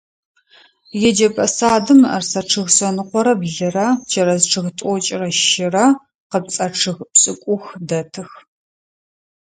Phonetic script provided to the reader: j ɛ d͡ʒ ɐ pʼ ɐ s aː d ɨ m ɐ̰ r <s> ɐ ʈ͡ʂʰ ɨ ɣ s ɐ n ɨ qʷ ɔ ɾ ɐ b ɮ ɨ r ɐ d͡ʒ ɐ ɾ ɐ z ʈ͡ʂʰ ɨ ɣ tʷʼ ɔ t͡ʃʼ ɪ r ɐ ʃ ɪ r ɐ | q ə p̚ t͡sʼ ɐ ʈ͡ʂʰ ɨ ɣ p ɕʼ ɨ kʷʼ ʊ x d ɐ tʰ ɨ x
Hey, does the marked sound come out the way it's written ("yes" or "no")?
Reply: yes